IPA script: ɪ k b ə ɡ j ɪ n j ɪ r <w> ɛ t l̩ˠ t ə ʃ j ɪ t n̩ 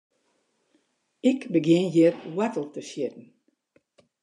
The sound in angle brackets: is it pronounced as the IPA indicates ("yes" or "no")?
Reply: yes